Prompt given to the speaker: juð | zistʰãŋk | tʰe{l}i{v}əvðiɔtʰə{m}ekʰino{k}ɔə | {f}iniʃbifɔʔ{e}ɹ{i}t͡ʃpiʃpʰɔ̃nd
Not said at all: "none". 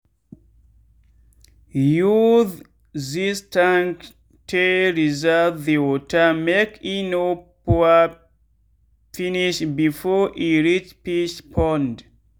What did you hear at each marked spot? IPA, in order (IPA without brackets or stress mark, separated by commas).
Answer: ɹ, z, m, p, f, i, i